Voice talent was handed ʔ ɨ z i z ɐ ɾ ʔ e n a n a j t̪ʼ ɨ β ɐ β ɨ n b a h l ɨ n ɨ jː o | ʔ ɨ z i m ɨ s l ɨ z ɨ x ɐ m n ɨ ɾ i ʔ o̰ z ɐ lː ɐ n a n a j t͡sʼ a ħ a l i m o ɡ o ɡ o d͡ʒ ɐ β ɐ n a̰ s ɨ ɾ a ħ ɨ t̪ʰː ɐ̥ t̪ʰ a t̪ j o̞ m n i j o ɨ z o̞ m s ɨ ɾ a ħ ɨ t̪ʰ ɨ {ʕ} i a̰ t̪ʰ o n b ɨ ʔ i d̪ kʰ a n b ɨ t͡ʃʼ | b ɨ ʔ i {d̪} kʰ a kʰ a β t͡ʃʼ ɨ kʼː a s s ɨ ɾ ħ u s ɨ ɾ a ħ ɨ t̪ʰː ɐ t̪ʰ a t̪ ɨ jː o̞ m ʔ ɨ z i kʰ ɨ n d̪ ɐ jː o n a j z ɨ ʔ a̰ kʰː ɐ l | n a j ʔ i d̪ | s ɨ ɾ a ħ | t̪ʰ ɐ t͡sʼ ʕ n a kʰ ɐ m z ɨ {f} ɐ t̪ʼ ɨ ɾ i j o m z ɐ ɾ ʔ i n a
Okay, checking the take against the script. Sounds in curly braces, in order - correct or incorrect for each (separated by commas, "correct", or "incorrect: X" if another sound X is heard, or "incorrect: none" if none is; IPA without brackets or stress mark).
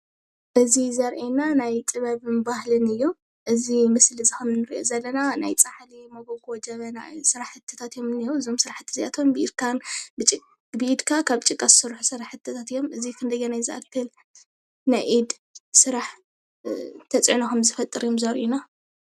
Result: incorrect: z, correct, correct